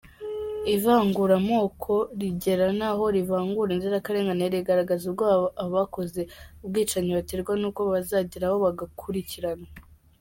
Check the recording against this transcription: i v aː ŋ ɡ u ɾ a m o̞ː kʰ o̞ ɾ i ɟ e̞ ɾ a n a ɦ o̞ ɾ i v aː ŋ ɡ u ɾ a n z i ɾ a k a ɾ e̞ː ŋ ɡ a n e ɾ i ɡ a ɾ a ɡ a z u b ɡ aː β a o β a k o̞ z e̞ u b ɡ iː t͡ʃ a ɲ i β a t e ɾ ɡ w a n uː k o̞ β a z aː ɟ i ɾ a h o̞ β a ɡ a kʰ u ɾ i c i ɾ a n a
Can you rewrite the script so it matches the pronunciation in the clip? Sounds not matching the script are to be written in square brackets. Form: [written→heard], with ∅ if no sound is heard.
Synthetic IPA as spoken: i v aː ŋ ɡ u ɾ a m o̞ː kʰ o̞ ɾ i ɟ e̞ ɾ a n a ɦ o̞ ɾ i v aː ŋ ɡ u ɾ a n z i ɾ a k a ɾ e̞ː ŋ ɡ a n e ɾ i ɡ a ɾ a ɡ a z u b ɡ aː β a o β a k o̞ z e̞ u b ɡ iː t͡ʃ a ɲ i β a t e ɾ ɡ w a n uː k o̞ β a z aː ɟ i ɾ a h o̞ β a ɡ a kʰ u ɾ i c i ɾ a n a